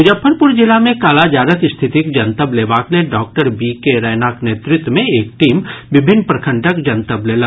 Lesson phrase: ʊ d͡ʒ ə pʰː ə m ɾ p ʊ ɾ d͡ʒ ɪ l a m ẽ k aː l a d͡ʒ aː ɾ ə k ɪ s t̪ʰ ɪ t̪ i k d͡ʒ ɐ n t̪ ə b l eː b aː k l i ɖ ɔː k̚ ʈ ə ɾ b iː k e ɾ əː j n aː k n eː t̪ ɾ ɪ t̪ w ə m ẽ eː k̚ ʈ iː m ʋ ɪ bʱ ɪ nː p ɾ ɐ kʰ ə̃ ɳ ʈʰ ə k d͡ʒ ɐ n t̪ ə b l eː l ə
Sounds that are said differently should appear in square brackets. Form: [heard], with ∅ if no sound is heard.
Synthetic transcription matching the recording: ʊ d͡ʒ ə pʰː ə [∅] ɾ p ʊ ɾ d͡ʒ ɪ l a m ẽ k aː l a d͡ʒ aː ɾ ə k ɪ s t̪ʰ ɪ t̪ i k d͡ʒ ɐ n t̪ ə b l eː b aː k l [e] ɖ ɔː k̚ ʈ ə ɾ b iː k e ɾ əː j n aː k n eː t̪ ɾ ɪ t̪ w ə m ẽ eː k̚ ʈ iː m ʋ ɪ bʱ ɪ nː p ɾ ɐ kʰ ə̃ ɳ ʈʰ ə k d͡ʒ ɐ n t̪ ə b l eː l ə

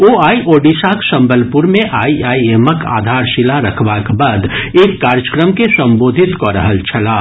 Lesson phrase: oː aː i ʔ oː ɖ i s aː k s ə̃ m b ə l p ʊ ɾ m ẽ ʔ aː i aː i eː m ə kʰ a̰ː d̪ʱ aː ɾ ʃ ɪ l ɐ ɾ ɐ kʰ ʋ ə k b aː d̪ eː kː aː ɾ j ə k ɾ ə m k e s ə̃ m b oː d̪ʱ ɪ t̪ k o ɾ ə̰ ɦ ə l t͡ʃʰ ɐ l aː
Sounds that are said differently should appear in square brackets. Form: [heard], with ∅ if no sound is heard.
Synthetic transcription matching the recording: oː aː i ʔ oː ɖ i s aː k s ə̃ m b ə l p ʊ ɾ m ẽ ʔ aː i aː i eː m ə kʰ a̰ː d̪ʱ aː ɾ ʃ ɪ l [a] ɾ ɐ kʰ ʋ [a] k b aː d̪ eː kː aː ɾ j ə k ɾ ə m k e s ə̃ m b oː d̪ʱ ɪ t̪ k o ɾ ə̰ ɦ ə l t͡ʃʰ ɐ l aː

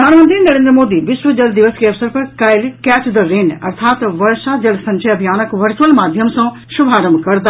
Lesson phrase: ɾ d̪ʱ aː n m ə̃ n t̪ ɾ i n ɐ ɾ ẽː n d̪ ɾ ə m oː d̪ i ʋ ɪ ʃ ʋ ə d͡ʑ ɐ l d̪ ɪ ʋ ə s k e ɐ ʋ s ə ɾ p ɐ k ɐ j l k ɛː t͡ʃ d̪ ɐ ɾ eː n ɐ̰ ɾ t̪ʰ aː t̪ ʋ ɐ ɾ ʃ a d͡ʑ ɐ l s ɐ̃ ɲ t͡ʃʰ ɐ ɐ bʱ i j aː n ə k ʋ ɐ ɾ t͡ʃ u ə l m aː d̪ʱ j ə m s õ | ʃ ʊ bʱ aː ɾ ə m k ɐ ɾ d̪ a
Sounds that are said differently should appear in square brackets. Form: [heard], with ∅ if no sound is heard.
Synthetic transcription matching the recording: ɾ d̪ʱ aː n m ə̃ n t̪ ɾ i n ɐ ɾ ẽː n d̪ ɾ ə m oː d̪ i ʋ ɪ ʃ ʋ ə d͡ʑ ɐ l d̪ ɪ ʋ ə s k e ɐ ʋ s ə ɾ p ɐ k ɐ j l k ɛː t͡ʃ d̪ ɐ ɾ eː n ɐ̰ ɾ t̪ʰ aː t̪ ʋ ɐ ɾ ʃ a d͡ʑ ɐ l s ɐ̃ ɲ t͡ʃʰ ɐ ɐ bʱ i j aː n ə k ʋ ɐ ɾ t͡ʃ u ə l m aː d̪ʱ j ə m s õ | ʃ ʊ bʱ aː ɾ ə m k ɐ ɾ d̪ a

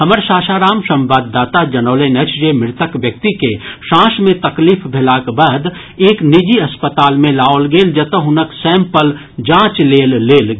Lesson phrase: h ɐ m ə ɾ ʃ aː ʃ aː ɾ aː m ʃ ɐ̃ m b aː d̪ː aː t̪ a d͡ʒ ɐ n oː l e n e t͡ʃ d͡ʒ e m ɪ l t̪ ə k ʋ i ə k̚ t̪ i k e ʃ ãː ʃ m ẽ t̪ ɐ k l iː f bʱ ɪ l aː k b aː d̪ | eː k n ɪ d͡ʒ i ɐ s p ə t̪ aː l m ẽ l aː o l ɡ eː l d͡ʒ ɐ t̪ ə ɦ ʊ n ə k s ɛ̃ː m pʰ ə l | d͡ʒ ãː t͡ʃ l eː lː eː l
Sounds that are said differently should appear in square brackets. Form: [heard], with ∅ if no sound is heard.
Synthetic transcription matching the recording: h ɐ m ə ɾ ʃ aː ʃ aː ɾ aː m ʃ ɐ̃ m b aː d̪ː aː t̪ a d͡ʒ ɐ n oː l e n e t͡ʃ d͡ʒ e m ɪ [ɾ] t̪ ə k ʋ [j] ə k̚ t̪ i k e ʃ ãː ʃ m ẽ t̪ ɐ k l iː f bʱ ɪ l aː k b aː d̪ | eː k n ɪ d͡ʒ i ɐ s p ə t̪ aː l m ẽ l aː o l ɡ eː l d͡ʒ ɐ t̪ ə ɦ ʊ n ə k s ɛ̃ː m [p] ə l | d͡ʒ ãː t͡ʃ l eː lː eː l

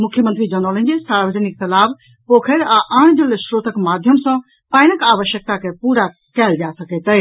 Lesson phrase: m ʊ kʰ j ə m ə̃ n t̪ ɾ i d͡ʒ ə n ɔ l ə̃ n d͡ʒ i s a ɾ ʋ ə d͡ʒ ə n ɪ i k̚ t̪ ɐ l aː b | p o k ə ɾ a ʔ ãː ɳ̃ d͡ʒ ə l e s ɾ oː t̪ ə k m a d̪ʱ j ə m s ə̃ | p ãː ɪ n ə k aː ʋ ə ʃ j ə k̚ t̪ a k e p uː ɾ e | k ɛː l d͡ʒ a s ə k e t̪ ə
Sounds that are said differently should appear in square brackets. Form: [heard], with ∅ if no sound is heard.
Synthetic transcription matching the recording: m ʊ kʰ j ə m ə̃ n t̪ ɾ i d͡ʒ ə n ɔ l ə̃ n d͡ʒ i s a ɾ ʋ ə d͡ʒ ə n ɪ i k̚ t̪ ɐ l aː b | p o [kʰ] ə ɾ a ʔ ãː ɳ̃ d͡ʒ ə l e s ɾ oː t̪ ə k m a d̪ʱ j ə m s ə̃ | p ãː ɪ n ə k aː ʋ ə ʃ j ə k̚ t̪ a k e p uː ɾ [a] | k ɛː l d͡ʒ a s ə k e t̪ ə

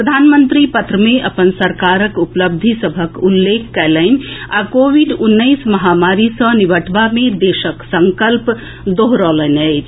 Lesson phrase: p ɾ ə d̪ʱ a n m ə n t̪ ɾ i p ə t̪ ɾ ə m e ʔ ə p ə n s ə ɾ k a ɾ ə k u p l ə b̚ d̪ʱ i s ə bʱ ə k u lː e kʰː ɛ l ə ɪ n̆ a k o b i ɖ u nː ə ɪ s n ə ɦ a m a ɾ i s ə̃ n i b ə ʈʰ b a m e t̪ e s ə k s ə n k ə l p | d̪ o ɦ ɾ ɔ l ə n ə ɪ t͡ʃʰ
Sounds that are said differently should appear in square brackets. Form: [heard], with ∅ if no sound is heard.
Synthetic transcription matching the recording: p ɾ ə d̪ʱ a n m ə n t̪ ɾ i p ə t̪ ɾ ə m e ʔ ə p ə n s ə ɾ k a ɾ ə k u p l ə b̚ d̪ʱ i s ə bʱ ə k u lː e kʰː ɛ l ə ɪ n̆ a k o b i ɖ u nː ə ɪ s [m] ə ɦ a m a ɾ i s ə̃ n i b ə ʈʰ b a m e [d̪] e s ə k s ə [ŋ] k ə l p | d̪ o ɦ ɾ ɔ l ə n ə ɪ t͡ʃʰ

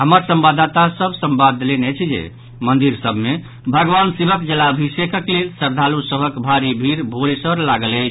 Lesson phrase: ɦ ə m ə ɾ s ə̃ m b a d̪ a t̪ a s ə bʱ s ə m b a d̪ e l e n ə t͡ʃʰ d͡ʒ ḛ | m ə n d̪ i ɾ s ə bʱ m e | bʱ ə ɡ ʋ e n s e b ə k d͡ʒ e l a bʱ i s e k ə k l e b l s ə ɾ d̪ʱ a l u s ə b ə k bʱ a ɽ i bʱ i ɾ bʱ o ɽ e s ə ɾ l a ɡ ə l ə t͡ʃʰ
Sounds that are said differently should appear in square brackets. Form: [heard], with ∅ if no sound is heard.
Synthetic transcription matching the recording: ɦ ə m ə ɾ s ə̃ m b a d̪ a t̪ a s ə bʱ s ə m b a d̪ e l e n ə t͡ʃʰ d͡ʒ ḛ | m ə n d̪ i ɾ s ə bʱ m e | bʱ ə ɡ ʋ [a] n s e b ə k d͡ʒ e l a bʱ i s e k ə k l e [∅] l s ə ɾ d̪ʱ a l u s ə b ə k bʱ a [ɾ] i bʱ i ɾ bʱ o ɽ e s ə ɾ l a ɡ ə l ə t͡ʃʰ

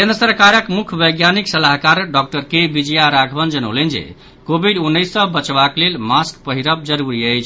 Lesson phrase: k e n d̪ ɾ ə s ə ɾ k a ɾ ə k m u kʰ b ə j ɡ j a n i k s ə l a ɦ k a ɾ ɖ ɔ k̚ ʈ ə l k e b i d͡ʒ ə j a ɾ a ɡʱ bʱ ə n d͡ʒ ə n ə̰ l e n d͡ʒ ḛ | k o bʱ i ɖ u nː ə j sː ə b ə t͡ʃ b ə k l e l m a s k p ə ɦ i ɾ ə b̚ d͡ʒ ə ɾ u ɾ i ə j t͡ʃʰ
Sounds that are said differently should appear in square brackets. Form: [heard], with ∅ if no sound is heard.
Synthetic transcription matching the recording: k e n d̪ ɾ ə s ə ɾ k a ɾ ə k m u kʰ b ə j ɡ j a n i k s ə l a ɦ k a ɾ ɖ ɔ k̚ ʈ ə [ɾ] k e b i d͡ʒ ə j a ɾ a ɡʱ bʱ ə n d͡ʒ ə n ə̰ l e n d͡ʒ ḛ | k o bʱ i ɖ u nː ə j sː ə b ə t͡ʃ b [a] k l e l m a s k p ə ɦ i ɾ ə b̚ d͡ʒ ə ɾ u ɾ i ə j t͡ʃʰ

